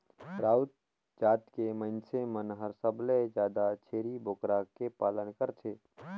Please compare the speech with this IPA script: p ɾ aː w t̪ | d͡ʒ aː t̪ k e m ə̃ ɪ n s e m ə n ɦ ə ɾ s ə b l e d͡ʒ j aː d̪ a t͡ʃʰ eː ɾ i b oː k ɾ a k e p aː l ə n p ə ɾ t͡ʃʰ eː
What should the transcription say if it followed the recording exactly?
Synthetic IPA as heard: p ɾ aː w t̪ | d͡ʒ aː t̪ k e m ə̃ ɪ n s e m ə n ɦ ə ɾ s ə b l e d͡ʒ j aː d̪ a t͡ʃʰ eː ɾ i b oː k ɾ a k e p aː l ə n k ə ɾ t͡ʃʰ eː